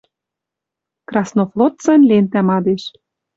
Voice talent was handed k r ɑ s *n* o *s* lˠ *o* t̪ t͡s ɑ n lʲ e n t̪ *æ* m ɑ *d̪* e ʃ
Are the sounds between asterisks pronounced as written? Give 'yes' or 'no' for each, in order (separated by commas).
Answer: yes, no, yes, yes, yes